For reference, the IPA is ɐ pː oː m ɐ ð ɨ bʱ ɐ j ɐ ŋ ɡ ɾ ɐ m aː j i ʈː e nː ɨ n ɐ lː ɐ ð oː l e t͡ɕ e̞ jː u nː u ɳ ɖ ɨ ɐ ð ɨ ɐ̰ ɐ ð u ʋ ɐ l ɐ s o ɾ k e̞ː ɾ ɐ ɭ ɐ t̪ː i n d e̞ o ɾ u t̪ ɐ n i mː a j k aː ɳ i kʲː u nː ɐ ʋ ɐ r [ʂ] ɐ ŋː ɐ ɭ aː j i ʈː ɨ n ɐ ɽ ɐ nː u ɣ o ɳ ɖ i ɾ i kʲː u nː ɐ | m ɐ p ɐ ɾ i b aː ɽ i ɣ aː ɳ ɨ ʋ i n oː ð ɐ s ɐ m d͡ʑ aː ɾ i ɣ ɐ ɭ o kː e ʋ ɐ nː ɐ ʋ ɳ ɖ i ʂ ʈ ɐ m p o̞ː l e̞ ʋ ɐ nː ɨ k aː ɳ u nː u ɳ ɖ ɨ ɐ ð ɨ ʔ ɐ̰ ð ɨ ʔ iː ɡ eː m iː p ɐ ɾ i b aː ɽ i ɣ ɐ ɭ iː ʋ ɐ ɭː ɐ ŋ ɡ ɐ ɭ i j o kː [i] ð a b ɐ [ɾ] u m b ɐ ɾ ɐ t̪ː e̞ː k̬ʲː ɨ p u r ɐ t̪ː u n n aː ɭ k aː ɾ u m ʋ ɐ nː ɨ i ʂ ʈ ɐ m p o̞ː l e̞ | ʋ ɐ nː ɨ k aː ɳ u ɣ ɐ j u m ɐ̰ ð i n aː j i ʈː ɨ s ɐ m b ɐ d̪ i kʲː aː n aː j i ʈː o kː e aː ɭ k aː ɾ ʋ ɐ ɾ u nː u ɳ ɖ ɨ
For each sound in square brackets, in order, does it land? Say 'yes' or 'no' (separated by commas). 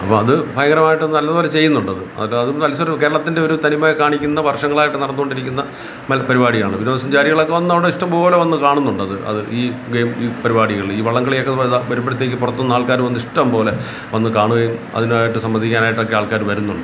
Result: yes, no, yes